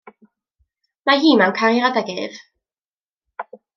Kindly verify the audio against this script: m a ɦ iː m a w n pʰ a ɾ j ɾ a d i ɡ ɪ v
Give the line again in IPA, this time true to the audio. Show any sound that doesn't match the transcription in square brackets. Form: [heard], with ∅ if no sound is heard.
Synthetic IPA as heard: m a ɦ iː m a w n [kʰ] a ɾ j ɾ a d [a] ɡ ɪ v